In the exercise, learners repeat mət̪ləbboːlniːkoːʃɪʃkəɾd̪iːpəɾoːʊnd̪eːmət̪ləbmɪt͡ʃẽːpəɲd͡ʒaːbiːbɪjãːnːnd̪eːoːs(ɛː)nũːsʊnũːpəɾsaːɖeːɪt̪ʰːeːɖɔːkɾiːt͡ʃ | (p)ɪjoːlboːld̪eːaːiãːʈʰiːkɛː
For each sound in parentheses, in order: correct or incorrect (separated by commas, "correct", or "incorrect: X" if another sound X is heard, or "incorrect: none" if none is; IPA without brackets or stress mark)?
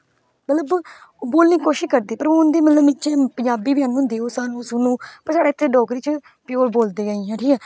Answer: incorrect: aː, correct